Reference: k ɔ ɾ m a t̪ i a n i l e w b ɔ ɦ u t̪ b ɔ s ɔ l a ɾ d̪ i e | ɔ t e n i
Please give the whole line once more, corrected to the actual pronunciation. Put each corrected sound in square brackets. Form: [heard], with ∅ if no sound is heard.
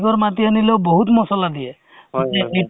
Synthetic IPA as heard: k ɔ ɾ m a t̪ i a n i l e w b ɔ ɦ u t̪ [m] ɔ s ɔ l a [∅] d̪ i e | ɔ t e [∅] i